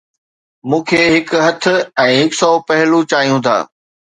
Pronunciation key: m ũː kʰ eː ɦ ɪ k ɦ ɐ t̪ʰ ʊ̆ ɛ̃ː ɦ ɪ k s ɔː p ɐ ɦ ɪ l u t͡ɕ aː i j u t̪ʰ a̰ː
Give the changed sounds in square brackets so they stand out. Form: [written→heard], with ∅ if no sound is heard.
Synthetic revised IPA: m ũː kʰ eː ɦ ɪ k ɦ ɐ t̪ʰ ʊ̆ ɛ̃ː ɦ ɪ k s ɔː p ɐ ɦ ɪ l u t͡ɕ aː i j [u→ũ] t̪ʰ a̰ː